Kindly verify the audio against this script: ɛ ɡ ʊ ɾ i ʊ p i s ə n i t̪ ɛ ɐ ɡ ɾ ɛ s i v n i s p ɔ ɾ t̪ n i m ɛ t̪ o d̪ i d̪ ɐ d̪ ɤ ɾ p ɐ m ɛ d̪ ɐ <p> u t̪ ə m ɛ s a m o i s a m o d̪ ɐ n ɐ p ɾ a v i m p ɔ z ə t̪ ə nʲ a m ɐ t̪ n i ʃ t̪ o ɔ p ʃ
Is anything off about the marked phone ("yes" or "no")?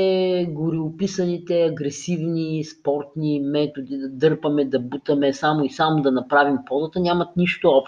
yes